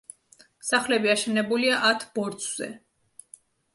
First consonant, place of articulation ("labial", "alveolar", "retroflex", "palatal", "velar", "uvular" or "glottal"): alveolar